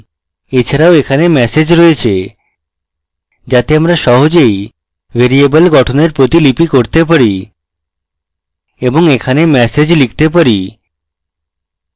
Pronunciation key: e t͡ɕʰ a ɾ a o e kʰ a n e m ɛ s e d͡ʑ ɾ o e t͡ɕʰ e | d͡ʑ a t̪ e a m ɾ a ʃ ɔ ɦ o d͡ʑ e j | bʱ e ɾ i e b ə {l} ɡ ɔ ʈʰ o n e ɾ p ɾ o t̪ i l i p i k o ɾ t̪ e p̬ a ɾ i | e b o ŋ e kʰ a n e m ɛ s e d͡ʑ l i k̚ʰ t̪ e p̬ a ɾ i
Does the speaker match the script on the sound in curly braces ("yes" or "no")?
yes